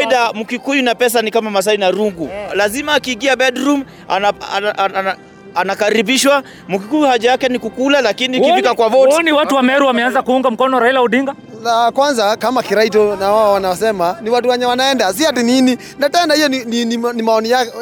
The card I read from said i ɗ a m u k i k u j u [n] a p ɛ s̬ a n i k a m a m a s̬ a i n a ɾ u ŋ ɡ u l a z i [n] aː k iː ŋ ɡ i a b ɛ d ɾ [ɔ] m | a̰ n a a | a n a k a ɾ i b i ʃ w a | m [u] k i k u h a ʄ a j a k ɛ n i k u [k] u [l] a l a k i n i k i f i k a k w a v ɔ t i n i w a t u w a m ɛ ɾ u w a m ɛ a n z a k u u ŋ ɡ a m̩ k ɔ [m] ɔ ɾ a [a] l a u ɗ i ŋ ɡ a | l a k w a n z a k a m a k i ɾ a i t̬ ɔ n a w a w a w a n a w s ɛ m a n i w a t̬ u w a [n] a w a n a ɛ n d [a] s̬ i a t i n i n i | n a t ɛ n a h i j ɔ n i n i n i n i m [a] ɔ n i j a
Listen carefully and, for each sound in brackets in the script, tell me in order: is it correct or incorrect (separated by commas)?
correct, incorrect, incorrect, correct, correct, correct, incorrect, incorrect, incorrect, correct, correct